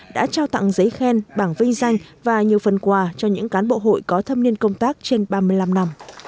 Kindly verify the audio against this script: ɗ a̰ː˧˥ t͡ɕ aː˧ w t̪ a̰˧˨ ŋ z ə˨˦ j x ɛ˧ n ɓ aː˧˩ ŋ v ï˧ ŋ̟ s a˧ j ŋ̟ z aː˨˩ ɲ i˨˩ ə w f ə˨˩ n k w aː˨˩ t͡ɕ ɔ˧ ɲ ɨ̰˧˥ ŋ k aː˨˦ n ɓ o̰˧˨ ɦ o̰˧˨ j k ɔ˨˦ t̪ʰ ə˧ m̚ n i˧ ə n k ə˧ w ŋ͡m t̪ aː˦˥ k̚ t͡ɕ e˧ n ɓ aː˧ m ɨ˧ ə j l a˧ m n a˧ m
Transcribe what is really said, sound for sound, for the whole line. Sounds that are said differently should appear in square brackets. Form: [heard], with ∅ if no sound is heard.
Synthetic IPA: ɗ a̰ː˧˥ t͡ɕ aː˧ w t̪ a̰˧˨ ŋ z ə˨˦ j x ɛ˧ n ɓ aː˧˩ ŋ v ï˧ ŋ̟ [z] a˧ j ŋ̟ [v] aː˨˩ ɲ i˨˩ ə w f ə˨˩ n k w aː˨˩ t͡ɕ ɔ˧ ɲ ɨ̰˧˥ ŋ k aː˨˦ n ɓ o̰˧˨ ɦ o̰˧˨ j k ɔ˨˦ t̪ʰ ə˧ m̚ n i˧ ə n k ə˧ w ŋ͡m t̪ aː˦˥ k̚ t͡ɕ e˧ n ɓ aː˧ m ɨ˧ ə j l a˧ m n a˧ m